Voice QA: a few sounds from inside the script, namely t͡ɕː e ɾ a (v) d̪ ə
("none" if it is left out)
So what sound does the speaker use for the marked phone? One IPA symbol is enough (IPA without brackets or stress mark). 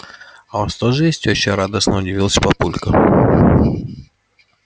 none